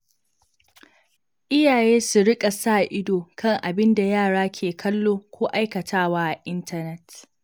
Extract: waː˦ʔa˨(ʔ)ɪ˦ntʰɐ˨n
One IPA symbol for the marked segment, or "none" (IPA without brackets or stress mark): ʔ